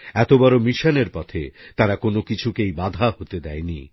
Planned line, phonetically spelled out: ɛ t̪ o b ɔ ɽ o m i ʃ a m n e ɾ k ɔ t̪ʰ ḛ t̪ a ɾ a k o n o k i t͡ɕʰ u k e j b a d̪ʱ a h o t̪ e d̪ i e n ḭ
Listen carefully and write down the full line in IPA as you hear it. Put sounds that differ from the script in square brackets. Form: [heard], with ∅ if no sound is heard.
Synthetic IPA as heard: ɛ t̪ o b ɔ [ɾ] o m i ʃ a [∅] n e ɾ [p] ɔ t̪ʰ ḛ t̪ a ɾ a k o n o k i t͡ɕʰ u k e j b a d̪ʱ a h o t̪ e d̪ [ɛ] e n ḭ